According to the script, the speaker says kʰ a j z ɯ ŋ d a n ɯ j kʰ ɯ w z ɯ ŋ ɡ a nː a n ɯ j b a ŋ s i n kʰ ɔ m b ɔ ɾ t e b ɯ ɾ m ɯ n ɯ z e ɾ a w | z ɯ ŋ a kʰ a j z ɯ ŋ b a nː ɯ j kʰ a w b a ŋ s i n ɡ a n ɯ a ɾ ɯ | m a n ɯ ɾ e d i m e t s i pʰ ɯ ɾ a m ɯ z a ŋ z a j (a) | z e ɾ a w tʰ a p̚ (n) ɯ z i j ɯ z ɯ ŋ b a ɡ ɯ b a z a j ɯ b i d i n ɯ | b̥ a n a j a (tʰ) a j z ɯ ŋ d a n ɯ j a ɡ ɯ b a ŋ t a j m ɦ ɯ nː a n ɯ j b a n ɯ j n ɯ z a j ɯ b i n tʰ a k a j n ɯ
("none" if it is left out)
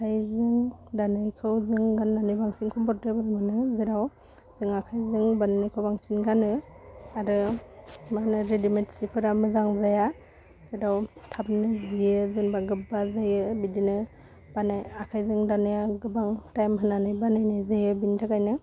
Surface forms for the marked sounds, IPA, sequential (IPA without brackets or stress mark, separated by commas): a, n, kʰ